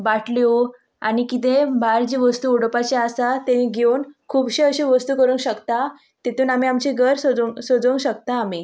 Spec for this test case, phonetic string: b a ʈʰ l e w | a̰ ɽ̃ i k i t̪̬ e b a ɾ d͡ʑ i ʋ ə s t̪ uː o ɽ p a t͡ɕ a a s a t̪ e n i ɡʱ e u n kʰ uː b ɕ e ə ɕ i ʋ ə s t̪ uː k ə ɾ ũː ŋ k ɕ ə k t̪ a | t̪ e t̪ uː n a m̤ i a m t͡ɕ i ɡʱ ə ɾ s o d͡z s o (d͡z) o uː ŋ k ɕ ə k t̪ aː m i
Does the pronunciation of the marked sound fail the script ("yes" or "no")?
no